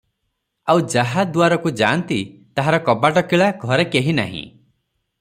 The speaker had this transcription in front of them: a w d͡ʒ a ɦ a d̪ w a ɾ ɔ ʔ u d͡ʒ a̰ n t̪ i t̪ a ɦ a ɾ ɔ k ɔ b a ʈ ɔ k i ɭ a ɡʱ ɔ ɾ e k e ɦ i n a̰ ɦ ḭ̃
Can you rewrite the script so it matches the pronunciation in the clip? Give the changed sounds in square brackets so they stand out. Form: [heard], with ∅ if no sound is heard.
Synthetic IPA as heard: a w d͡ʒ a ɦ a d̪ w a ɾ ɔ [k] u d͡ʒ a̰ n t̪ i t̪ a ɦ a ɾ ɔ k ɔ b a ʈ ɔ k i ɭ a ɡʱ ɔ ɾ e k e ɦ i n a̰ ɦ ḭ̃